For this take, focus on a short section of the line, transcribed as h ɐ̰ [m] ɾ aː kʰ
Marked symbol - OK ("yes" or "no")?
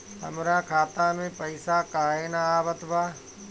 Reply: yes